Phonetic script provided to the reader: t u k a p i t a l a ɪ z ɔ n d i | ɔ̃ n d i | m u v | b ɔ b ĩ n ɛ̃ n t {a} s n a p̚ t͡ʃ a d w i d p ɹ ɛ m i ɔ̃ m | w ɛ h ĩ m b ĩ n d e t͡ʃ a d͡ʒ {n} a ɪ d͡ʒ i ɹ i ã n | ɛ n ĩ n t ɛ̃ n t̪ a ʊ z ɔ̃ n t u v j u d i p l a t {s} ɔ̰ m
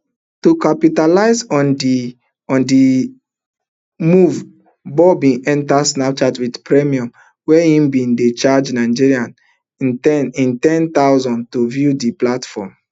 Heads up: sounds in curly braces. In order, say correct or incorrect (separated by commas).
correct, correct, incorrect